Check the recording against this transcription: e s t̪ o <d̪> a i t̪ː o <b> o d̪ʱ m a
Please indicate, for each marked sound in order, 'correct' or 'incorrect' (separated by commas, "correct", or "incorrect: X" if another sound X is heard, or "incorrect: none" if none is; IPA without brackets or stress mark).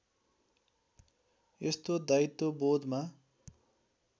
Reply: correct, correct